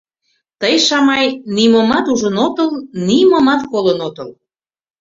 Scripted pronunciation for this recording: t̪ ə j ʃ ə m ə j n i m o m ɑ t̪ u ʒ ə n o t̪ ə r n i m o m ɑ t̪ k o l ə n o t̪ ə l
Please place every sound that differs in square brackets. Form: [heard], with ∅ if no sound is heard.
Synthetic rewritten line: t̪ ə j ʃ [ɑ] m [ɑ] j n i m o m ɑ t̪ u ʒ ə n o t̪ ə [l] n i m o m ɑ t̪ k o l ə n o t̪ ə l